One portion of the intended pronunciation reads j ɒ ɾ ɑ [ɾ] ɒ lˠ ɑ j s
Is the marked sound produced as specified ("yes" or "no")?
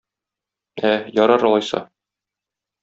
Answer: yes